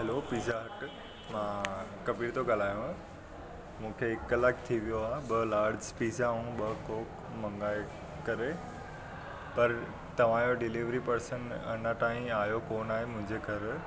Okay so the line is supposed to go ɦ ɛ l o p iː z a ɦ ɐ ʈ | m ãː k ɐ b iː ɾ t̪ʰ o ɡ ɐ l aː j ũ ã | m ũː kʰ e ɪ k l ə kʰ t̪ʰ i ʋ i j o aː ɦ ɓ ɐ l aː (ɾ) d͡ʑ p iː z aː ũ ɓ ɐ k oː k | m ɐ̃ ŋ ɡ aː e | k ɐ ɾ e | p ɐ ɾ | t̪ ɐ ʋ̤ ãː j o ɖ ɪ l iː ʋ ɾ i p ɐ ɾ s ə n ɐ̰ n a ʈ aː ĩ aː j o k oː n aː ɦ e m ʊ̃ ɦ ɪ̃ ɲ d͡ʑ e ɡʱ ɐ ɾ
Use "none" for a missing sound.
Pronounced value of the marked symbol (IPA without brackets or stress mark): ɾ